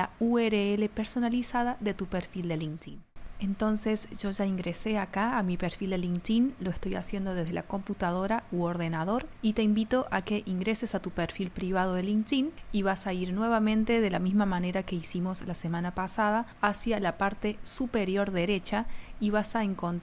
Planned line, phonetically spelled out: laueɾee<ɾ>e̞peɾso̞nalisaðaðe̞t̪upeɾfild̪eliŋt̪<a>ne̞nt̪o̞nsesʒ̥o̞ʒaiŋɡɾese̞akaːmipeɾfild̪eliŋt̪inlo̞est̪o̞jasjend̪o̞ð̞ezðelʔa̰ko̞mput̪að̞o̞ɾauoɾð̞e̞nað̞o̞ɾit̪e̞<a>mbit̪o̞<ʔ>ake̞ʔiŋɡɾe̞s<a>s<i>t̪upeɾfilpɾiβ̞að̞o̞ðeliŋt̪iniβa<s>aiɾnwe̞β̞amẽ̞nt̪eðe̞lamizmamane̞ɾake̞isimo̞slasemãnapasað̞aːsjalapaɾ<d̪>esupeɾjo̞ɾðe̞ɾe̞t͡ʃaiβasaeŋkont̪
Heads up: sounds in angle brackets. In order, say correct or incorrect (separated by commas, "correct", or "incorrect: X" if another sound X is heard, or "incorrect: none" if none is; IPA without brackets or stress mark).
incorrect: l, incorrect: i, incorrect: i, correct, incorrect: e, incorrect: a, correct, incorrect: t̪